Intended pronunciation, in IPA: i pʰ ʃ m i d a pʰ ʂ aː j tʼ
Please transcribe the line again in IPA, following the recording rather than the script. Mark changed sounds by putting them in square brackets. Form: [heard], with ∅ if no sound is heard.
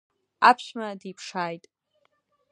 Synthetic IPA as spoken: [a] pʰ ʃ m [a] d [i] pʰ ʂ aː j tʼ